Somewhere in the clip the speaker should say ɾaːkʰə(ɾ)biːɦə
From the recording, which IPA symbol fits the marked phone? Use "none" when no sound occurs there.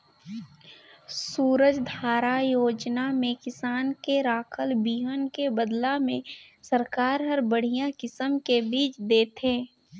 l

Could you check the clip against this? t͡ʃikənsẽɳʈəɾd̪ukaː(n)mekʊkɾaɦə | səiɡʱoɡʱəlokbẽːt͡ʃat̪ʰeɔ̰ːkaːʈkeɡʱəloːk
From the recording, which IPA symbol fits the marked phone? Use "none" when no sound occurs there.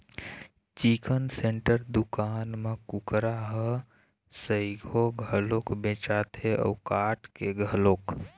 n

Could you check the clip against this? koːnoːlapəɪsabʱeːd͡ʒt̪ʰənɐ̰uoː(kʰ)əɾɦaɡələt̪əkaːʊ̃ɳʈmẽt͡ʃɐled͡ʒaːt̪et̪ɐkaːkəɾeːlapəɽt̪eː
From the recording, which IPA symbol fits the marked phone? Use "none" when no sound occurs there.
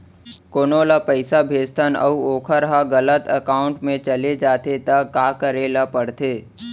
kʰ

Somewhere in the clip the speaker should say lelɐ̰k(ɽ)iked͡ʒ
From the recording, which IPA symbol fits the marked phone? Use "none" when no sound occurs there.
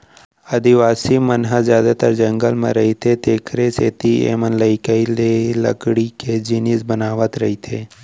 ɽ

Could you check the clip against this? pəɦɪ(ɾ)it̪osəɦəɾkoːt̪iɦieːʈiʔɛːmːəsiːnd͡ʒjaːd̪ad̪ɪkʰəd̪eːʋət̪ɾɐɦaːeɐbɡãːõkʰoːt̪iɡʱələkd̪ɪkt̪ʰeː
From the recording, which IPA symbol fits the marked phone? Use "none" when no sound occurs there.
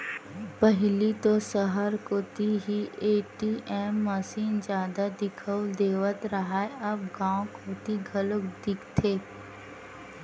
l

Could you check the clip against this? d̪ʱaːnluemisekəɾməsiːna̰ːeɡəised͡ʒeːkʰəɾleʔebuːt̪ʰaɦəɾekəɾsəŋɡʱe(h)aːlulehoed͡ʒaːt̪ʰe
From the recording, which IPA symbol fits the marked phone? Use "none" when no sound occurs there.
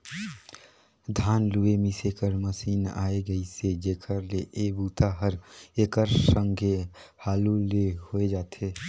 h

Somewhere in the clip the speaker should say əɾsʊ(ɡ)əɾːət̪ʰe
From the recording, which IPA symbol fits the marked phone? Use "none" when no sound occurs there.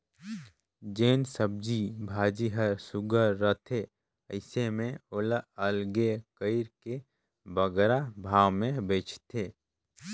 ɡ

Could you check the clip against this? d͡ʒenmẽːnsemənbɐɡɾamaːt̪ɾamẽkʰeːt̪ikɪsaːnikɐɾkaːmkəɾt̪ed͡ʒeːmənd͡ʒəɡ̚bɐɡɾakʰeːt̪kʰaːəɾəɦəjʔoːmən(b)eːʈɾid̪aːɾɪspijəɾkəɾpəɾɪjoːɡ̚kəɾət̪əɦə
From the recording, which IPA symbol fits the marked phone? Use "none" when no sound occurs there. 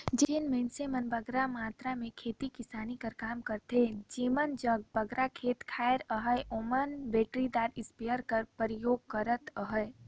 b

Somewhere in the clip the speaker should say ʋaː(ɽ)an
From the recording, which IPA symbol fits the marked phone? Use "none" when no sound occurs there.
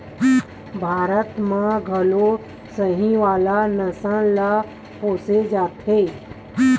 l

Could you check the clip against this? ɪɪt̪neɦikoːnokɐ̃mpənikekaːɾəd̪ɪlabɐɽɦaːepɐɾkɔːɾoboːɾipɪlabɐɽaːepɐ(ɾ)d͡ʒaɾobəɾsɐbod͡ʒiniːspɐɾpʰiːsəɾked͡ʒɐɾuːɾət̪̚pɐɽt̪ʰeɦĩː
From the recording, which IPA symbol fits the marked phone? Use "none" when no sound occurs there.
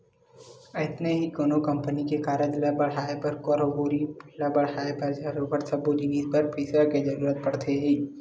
ɾ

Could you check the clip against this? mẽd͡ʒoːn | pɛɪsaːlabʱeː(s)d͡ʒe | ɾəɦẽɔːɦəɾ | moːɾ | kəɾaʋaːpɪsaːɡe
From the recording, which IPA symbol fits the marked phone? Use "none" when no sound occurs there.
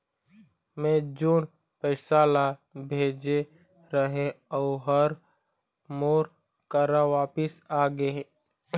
none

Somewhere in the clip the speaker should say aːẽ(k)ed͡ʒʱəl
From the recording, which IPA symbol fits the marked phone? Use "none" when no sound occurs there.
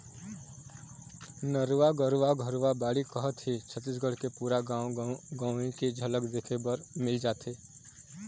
k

